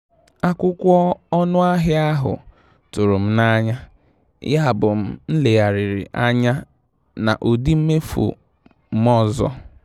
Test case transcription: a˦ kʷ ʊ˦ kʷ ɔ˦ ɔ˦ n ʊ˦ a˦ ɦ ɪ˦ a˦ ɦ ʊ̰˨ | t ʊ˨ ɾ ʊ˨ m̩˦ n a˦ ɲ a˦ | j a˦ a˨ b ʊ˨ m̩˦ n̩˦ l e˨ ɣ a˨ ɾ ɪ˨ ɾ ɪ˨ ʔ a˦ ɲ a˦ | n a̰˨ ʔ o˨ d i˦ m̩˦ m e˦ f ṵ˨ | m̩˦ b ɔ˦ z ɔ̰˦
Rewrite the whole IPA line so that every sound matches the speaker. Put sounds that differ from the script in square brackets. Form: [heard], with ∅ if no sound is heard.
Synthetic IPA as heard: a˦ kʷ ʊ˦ kʷ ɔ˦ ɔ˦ n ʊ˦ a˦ ɦ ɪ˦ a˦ ɦ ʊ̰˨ | t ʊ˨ ɾ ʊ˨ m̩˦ n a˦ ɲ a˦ | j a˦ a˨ b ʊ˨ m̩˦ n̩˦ l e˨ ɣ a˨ ɾ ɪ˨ ɾ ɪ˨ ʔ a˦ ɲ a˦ | n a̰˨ ʔ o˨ d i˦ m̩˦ m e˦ f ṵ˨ | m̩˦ [m] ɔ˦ z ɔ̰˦